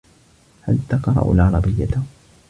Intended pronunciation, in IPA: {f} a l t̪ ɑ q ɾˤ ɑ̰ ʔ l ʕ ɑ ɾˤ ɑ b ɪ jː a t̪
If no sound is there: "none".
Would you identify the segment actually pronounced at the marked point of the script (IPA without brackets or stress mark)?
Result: h